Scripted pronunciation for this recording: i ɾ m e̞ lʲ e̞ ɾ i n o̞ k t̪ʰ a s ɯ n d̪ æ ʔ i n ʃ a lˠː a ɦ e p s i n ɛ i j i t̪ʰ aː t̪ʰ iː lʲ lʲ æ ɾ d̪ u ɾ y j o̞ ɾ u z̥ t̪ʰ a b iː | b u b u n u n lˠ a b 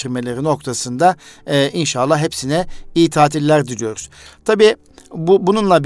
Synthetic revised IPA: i ɾ m e̞ lʲ e̞ ɾ i n o̞ k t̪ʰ a s ɯ n d̪ a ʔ i n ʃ a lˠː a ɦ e p s i n ɛ i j i t̪ʰ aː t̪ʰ i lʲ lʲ æ ɾ d̪ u ɾ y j o̞ ɾ u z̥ t̪ʰ a b iː | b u b u n u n lˠ a b